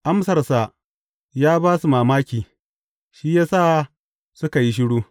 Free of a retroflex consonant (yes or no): no